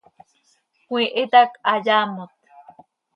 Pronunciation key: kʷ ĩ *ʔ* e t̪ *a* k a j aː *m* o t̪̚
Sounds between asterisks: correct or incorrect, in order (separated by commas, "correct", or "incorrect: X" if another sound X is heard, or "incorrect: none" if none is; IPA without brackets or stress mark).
correct, correct, correct